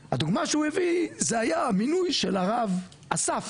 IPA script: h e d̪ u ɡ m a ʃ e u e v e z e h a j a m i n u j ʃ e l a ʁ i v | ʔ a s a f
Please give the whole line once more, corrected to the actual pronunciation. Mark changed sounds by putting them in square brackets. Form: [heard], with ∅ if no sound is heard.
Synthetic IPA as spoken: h [a] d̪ u ɡ m a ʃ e u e v [i] z e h a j a m i n u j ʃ e l a ʁ [a] v | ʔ a s a f

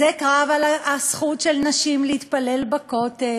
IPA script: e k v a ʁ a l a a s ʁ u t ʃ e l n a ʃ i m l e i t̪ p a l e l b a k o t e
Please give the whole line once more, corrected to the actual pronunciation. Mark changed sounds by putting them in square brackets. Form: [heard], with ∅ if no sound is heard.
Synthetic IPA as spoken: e k [ʁ] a [v] a l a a s [χ] u t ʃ e l n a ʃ i m l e i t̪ p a l e l b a k o t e

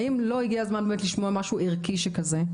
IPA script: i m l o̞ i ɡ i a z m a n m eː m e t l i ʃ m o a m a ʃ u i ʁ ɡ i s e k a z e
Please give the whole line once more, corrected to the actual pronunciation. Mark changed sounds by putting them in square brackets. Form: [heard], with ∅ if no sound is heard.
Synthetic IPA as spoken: i m l o̞ i ɡ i a z m a n [b] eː m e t l i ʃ m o a m a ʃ u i ʁ [k] i [ʃ] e k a z e

